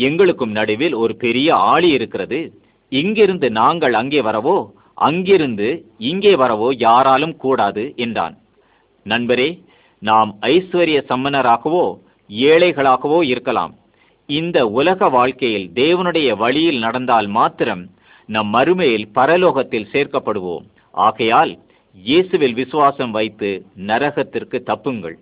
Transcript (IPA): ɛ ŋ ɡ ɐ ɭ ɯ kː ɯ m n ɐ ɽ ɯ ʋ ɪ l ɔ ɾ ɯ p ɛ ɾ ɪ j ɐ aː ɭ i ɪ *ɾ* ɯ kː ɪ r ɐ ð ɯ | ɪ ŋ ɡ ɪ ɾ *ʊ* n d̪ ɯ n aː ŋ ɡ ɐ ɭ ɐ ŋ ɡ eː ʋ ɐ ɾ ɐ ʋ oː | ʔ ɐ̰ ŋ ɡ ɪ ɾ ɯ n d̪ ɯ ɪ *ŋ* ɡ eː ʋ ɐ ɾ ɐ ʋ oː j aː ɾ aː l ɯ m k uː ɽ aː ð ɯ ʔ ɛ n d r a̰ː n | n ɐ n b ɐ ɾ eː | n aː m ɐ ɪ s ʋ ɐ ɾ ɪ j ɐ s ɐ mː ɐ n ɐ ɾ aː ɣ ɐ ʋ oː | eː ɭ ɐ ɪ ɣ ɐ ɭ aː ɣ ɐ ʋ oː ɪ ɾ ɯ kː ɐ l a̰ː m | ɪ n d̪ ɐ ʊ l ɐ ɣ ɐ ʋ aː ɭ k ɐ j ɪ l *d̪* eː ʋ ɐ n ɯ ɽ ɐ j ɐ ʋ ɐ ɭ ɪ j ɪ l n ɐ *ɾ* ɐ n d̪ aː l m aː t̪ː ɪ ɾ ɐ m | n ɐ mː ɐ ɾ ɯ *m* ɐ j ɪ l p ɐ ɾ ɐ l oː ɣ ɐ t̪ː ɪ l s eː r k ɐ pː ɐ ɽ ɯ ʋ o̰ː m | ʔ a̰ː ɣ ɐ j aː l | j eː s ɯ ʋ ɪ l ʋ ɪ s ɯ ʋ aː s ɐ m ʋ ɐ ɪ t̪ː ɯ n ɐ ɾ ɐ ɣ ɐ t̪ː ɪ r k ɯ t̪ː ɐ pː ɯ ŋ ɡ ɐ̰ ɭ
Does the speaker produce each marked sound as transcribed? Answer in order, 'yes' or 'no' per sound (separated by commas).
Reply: yes, no, yes, yes, no, yes